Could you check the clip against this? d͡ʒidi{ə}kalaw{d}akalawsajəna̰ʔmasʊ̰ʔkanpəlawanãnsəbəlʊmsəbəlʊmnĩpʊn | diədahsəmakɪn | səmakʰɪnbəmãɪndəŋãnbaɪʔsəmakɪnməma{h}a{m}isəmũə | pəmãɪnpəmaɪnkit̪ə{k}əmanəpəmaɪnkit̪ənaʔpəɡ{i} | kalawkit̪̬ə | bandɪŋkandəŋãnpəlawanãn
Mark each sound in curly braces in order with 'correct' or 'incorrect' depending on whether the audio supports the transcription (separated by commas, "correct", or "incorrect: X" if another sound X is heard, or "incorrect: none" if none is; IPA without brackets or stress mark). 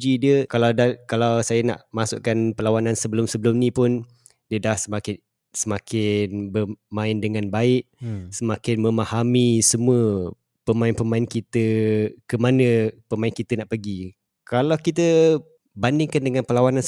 correct, correct, correct, correct, correct, correct